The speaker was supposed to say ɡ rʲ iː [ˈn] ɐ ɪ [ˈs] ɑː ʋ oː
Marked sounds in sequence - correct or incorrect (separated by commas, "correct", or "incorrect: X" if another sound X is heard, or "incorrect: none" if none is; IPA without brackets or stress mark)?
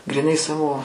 correct, correct